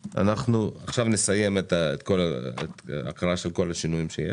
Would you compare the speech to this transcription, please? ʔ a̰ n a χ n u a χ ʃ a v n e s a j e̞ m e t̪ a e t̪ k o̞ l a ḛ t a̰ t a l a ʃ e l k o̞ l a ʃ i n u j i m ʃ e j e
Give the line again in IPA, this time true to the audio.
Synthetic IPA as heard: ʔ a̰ n a χ n u a χ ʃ a v n e s a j e̞ m e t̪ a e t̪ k o̞ l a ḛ t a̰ k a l a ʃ e l k o̞ l a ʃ i n u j i m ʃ e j e